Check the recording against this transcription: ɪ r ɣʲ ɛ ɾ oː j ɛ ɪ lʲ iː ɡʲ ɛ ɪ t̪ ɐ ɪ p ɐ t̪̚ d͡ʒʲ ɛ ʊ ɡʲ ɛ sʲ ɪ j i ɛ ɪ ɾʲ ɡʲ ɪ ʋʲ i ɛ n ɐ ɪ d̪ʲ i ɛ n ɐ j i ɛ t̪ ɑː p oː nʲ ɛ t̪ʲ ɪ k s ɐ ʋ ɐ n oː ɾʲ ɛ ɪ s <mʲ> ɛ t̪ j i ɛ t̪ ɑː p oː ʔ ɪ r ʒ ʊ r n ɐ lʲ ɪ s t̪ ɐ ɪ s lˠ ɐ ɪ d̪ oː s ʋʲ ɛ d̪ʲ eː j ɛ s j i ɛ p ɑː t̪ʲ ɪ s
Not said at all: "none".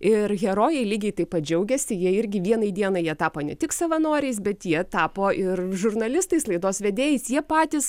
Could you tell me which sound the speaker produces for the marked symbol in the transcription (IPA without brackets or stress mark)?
bʲ